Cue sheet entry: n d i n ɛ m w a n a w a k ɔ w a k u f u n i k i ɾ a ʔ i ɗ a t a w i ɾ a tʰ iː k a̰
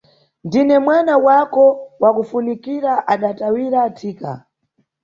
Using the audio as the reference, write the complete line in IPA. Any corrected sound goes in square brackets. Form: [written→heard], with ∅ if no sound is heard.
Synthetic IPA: n d i n ɛ m w a n a w a k ɔ w a k u f u n i k i ɾ a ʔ [i→a] ɗ a t a w i ɾ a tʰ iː k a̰